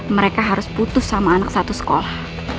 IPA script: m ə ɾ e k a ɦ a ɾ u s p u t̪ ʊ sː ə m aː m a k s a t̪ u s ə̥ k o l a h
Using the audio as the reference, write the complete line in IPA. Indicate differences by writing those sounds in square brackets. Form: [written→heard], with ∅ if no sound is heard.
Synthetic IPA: m ə ɾ e k a ɦ a ɾ [u→ʊ] s p u t̪ ʊ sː [ə→a] m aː [m→n] a k s a t̪ u s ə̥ k o l a h